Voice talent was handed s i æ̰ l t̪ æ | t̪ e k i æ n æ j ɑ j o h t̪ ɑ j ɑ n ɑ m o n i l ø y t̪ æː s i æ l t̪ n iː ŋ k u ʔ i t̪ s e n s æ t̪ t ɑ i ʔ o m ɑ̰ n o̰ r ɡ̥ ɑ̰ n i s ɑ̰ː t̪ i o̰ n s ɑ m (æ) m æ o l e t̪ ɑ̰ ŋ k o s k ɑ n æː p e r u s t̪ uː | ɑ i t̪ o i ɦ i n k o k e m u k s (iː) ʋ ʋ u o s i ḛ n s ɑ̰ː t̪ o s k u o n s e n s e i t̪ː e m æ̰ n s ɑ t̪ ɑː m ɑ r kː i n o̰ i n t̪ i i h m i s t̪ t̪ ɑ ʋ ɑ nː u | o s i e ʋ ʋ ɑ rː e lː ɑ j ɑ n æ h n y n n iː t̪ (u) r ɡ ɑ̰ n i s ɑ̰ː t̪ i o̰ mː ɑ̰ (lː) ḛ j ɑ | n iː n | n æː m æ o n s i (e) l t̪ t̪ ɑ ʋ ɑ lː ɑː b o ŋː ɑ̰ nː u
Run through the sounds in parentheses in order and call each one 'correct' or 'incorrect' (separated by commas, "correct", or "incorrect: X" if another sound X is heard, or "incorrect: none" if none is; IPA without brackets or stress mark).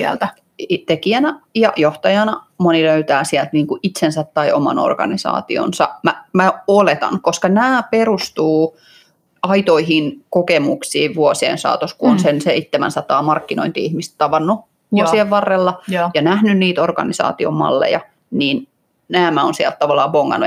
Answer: correct, correct, incorrect: o, correct, incorrect: æ